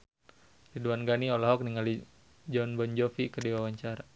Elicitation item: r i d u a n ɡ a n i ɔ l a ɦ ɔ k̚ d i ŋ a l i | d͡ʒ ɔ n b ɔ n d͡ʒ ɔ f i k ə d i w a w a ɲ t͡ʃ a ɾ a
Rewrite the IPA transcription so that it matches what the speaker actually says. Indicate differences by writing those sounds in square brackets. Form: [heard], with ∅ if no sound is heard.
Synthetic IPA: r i d u a n ɡ a n i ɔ l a ɦ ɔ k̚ [n] i ŋ a l i | d͡ʒ ɔ n b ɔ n d͡ʒ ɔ f i k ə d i w a w a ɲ t͡ʃ a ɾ a